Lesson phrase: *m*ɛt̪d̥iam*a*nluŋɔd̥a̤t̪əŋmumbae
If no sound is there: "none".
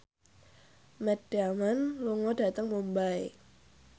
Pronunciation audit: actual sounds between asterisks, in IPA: m, a

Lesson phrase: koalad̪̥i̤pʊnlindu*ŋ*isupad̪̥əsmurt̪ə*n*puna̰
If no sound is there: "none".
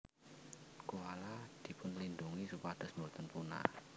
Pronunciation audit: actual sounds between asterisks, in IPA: ŋ, n

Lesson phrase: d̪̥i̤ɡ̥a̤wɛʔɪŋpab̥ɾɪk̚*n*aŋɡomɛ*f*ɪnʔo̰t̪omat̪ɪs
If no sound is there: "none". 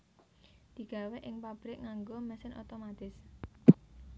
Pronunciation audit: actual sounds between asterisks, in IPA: ŋ, s

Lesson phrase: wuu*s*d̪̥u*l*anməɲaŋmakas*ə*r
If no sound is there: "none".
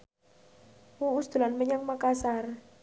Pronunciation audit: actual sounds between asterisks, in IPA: s, l, a

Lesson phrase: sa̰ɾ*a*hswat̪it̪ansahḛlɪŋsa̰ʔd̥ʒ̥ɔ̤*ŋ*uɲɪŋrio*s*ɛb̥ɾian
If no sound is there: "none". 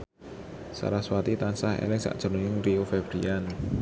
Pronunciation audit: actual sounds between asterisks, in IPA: a, n, f

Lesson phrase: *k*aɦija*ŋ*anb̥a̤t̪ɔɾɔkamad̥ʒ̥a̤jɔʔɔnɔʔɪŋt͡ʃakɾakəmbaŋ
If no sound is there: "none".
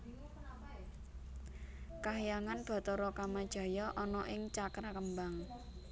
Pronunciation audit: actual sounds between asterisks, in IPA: k, ŋ

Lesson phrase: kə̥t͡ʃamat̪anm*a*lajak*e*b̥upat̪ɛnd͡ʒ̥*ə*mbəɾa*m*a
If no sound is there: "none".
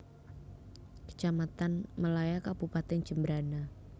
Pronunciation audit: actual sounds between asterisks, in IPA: ə, a, ə, n

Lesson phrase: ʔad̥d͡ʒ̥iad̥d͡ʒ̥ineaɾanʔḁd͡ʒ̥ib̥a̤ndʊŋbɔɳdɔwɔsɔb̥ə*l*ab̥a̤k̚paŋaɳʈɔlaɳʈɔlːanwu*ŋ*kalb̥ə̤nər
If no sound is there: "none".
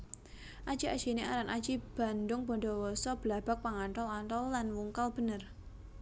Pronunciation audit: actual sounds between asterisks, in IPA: l, ŋ

